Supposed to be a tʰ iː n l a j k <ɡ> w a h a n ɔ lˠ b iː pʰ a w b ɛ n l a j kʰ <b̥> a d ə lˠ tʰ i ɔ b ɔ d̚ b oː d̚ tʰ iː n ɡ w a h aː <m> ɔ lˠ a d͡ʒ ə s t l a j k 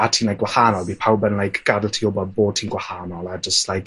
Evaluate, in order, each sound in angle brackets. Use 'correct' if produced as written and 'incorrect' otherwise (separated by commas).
correct, incorrect, incorrect